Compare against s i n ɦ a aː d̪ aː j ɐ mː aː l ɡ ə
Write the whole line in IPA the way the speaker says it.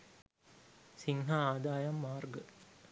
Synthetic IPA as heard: s i ŋ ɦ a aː d̪ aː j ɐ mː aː r ɡ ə